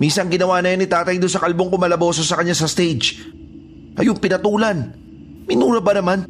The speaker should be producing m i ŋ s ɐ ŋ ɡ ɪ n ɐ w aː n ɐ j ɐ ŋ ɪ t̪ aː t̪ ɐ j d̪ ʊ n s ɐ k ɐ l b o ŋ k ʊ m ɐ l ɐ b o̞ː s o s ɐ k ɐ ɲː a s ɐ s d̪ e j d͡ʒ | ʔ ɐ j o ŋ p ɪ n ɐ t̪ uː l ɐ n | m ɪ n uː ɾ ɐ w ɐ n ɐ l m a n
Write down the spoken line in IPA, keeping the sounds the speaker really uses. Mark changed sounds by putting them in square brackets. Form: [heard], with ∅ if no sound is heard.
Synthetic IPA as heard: m i [n] s ɐ ŋ ɡ ɪ n ɐ w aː n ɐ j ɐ [n] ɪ t̪ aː t̪ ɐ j d̪ ʊ n s ɐ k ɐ l b o ŋ k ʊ m ɐ l ɐ b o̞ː s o s ɐ k ɐ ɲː a s ɐ s [t̪] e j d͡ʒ | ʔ ɐ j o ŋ p ɪ n ɐ t̪ uː l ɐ n | m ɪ n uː ɾ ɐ [b] ɐ n ɐ [∅] m a n